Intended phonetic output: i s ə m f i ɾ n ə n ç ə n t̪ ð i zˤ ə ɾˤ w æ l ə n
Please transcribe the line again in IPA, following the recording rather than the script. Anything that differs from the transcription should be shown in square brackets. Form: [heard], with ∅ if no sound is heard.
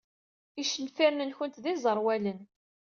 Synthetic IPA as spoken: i [ʃ] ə [n] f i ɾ n ə n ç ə n t̪ ð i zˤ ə ɾˤ w æ l ə n